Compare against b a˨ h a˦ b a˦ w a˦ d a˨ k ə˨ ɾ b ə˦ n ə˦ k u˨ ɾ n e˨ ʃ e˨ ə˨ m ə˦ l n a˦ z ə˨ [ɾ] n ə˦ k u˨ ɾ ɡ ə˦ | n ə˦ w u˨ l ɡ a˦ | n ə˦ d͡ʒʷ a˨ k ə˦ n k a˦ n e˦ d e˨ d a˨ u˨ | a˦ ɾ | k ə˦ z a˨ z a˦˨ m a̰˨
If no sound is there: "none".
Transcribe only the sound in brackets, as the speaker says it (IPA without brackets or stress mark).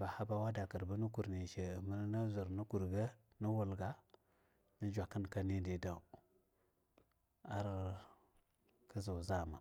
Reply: ɾ